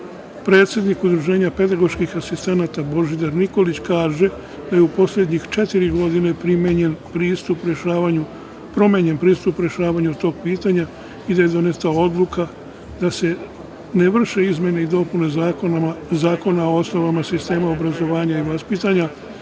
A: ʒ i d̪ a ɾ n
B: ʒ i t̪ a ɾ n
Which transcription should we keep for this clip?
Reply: A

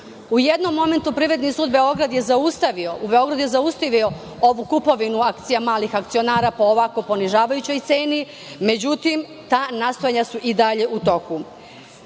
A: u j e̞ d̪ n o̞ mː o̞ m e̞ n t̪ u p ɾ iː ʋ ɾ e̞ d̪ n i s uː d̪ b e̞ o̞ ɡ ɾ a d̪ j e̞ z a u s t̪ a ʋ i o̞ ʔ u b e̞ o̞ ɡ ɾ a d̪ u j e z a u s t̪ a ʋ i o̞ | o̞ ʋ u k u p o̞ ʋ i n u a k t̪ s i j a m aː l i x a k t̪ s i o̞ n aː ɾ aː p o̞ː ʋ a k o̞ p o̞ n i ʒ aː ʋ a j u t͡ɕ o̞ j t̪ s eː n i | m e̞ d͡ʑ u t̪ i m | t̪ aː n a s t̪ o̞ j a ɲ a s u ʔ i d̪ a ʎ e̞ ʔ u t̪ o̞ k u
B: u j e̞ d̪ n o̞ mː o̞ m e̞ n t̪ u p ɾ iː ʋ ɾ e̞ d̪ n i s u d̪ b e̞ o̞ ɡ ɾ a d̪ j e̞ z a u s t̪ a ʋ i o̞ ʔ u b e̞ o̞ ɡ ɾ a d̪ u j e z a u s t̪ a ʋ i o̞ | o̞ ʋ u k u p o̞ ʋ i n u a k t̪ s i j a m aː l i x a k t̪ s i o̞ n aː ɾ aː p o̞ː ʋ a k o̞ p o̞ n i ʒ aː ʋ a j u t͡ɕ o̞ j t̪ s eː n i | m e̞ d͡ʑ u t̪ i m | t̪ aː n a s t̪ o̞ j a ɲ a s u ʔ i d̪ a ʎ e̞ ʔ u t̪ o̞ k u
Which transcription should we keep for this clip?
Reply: A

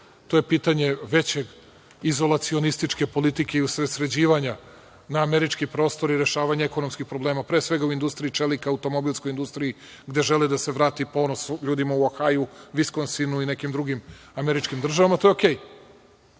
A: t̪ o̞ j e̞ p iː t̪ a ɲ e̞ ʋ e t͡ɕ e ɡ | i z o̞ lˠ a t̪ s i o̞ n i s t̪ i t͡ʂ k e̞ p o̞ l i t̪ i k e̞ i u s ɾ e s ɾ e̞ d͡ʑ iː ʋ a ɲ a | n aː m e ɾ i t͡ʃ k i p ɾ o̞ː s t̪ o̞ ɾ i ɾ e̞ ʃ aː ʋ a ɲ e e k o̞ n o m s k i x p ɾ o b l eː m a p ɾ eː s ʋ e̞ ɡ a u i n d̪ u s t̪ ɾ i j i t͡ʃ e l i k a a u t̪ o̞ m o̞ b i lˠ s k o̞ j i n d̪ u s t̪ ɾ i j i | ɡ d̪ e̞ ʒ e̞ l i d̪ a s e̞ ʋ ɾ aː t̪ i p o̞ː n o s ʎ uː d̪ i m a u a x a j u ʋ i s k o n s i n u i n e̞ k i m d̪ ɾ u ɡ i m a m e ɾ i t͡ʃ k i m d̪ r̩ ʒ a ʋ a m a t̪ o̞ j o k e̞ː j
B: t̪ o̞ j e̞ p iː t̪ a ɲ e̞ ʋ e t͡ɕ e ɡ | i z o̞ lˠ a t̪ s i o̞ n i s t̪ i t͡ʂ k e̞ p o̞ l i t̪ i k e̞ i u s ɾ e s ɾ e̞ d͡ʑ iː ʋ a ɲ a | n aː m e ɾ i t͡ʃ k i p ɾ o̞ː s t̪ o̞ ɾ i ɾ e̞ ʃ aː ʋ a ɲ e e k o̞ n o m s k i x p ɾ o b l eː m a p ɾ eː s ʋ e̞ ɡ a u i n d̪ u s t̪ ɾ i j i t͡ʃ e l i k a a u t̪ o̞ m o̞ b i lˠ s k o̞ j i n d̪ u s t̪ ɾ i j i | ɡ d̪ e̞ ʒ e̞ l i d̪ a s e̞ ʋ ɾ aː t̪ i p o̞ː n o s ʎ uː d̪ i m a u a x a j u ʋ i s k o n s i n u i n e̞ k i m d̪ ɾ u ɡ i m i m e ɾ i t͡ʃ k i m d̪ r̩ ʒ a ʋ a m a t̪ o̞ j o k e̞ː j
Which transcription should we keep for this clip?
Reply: A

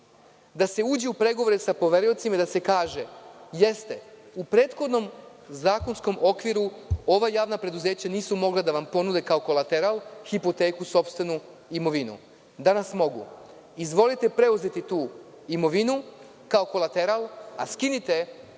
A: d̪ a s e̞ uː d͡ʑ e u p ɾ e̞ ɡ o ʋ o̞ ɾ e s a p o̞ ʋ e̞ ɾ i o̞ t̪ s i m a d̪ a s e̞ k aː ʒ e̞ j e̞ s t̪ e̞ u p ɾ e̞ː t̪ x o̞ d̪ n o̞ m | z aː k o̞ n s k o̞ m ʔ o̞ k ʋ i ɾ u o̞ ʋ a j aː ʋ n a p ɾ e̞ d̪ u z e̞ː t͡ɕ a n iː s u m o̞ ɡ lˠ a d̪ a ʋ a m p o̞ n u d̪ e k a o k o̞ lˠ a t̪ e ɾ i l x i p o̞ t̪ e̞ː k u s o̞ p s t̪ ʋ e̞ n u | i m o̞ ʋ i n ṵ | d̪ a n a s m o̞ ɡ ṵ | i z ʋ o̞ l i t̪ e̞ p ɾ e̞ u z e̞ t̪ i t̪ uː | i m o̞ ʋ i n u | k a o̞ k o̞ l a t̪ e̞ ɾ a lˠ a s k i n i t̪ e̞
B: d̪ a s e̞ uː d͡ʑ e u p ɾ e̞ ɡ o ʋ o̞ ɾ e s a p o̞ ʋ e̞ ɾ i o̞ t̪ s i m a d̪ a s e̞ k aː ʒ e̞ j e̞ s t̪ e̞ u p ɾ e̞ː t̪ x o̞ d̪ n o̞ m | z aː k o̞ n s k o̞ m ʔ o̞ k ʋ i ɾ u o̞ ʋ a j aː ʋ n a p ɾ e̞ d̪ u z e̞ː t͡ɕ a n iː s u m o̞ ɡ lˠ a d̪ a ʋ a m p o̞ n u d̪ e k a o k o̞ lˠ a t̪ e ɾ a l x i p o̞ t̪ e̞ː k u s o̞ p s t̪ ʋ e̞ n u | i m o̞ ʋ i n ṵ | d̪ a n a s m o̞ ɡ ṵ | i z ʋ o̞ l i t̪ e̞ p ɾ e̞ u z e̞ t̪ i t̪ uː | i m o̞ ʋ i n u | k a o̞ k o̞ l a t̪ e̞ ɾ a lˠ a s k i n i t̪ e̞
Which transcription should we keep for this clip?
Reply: B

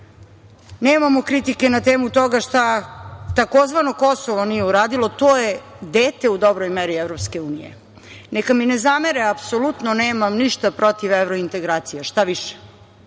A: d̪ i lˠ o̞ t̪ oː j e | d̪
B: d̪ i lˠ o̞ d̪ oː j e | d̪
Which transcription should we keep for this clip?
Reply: A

